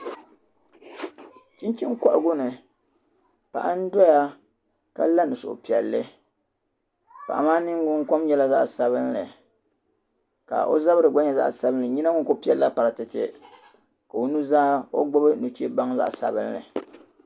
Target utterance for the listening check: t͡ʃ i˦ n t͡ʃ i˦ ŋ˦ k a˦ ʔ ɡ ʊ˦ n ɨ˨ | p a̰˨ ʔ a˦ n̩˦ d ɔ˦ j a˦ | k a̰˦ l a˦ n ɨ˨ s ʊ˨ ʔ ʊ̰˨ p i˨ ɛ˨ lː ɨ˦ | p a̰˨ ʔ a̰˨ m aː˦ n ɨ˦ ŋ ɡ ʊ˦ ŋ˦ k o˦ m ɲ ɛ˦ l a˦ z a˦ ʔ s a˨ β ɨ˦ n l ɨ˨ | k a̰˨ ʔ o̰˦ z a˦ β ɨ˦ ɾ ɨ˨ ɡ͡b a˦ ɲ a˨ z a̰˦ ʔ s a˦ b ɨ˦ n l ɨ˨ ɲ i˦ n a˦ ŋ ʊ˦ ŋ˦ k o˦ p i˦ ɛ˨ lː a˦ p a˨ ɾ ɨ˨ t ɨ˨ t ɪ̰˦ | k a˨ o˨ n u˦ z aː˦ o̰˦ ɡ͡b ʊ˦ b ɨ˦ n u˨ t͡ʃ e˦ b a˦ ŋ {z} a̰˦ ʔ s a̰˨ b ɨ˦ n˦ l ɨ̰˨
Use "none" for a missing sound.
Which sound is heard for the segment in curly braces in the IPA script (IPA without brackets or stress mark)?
z